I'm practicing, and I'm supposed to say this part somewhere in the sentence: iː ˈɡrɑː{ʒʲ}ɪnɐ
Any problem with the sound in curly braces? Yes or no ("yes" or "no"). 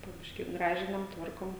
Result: no